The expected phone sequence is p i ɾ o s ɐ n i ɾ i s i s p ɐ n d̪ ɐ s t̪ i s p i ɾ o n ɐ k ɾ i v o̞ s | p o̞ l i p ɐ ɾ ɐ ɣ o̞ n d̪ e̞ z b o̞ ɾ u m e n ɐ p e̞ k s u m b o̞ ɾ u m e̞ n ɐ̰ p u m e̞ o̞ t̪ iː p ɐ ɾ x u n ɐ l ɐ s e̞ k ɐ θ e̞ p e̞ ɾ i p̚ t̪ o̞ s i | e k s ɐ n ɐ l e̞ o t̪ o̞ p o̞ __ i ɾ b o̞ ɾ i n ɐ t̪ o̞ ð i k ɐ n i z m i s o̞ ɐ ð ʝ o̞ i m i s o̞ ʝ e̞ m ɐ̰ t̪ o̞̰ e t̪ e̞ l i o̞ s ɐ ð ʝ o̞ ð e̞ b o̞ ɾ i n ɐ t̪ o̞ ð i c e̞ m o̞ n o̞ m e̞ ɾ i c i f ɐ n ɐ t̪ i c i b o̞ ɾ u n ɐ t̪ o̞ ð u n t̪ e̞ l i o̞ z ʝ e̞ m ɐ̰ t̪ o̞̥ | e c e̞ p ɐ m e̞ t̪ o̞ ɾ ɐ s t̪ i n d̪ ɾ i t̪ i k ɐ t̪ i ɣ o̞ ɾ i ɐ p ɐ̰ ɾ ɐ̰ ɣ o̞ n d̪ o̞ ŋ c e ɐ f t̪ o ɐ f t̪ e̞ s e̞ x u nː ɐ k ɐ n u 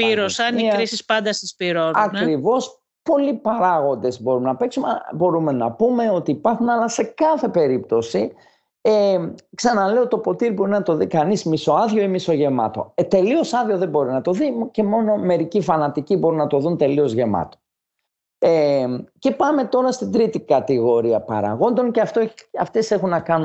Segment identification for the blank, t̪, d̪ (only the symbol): t̪